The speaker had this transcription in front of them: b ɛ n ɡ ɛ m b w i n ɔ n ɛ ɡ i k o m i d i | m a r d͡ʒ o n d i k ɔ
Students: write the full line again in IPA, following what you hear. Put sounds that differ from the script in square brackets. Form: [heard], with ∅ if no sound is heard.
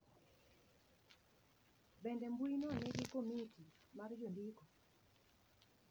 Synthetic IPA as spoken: b ɛ n [d] ɛ m b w i n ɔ n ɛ ɡ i k o m i [t] i | m a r d͡ʒ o n d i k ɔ